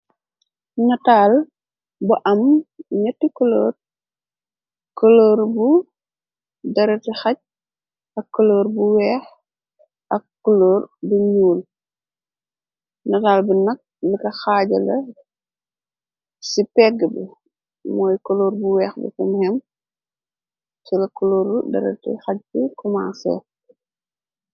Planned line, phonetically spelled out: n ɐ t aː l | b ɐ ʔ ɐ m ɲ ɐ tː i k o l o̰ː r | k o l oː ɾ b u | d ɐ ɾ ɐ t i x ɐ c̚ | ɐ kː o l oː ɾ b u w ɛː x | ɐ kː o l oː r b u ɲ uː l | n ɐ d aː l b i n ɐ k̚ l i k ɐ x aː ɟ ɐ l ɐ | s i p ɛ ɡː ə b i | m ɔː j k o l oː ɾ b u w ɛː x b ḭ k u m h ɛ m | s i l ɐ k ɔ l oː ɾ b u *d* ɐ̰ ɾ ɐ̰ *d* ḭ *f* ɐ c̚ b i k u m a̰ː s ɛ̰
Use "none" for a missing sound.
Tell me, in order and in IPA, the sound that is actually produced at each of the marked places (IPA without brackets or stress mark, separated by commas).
d, t, x